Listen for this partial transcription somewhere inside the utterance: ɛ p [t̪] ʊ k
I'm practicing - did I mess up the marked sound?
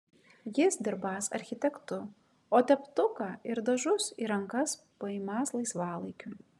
no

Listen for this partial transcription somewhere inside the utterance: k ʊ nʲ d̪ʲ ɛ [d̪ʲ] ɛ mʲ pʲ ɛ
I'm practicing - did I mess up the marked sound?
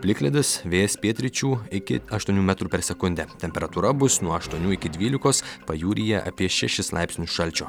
yes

